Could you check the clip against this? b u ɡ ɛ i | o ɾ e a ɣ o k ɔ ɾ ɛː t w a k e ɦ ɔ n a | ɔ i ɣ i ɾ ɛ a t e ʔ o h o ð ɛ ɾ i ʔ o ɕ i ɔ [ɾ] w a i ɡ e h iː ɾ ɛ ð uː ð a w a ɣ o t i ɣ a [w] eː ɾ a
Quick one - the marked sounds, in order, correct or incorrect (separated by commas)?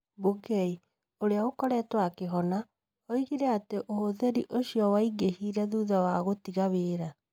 incorrect, incorrect